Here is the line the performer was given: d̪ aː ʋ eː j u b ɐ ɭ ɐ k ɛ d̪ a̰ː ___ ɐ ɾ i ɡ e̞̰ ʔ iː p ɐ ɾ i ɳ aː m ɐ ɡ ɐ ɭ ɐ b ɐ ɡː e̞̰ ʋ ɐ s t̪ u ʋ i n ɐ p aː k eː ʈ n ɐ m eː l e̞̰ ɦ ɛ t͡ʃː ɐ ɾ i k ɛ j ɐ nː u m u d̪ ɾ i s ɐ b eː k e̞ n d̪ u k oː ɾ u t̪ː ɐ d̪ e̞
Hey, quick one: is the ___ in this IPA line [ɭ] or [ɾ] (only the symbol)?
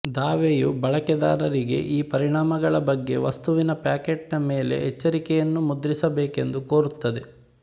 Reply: ɾ